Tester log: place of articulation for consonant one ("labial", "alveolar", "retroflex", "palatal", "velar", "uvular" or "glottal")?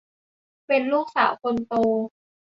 labial